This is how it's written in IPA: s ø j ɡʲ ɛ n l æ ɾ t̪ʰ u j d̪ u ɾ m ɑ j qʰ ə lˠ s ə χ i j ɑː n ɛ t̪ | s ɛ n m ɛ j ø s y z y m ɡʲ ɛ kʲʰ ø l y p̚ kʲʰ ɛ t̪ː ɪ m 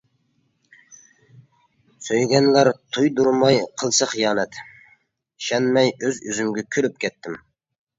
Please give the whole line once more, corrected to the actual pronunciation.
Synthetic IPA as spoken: s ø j ɡʲ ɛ n l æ ɾ t̪ʰ u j d̪ u ɾ m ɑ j qʰ ə lˠ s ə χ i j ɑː n ɛ t̪ | ʃ ɛ n m ɛ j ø z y z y m ɡʲ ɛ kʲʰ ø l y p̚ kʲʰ ɛ t̪ː ɪ m